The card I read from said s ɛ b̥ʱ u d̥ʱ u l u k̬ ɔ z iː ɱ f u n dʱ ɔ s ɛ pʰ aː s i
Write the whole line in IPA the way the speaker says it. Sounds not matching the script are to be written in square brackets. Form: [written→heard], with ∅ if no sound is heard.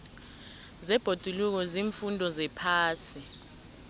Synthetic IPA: [s→z] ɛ b̥ʱ [u→o] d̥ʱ u l u k̬ ɔ z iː ɱ f u n dʱ ɔ [s→z] ɛ pʰ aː s i